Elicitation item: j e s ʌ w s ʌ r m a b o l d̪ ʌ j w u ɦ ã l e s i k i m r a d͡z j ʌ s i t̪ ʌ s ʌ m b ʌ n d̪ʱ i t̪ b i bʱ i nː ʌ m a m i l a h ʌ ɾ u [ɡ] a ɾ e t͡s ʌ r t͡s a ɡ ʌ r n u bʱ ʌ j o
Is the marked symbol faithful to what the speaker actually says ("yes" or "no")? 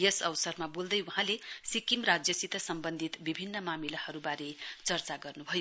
no